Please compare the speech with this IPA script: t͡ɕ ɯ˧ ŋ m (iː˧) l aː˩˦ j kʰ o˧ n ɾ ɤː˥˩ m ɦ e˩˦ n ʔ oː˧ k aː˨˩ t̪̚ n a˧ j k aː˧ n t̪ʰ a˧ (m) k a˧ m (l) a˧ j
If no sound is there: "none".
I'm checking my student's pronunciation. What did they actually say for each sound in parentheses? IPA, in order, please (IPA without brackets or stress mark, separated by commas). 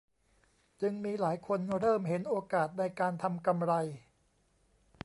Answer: iː˧, m, ɾ